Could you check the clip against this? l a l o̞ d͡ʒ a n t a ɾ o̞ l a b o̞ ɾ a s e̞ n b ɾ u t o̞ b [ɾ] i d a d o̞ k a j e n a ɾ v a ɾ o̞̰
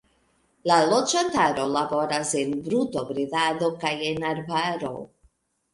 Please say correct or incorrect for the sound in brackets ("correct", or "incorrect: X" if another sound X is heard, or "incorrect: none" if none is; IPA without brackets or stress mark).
correct